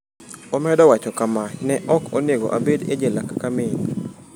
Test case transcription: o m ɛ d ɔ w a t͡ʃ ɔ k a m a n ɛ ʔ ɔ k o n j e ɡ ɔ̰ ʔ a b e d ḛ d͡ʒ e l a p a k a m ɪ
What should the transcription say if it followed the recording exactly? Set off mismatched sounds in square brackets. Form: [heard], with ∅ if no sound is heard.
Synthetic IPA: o m ɛ d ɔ w a t͡ʃ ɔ k a m a n ɛ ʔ ɔ k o n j e ɡ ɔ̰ ʔ a b e d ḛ d͡ʒ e l a [k] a k a m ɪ